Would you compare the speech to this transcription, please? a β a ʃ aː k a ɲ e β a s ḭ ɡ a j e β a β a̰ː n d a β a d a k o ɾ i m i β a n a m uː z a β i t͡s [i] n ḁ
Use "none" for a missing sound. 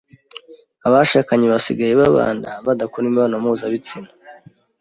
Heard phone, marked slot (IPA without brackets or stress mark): i